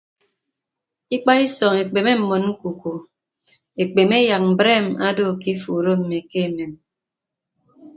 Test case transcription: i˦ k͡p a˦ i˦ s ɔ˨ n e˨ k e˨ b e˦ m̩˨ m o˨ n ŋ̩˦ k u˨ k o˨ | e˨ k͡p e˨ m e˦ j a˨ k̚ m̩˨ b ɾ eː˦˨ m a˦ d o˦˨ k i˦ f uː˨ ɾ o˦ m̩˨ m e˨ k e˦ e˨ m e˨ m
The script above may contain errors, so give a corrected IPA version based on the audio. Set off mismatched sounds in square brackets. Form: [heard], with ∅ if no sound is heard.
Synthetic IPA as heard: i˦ k͡p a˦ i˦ s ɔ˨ [ŋ] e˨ [k͡p] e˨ [m] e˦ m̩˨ m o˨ n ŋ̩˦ k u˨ k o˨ | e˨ k͡p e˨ m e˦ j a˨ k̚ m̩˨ b ɾ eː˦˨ m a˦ d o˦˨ k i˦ f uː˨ ɾ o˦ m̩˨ m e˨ k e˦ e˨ m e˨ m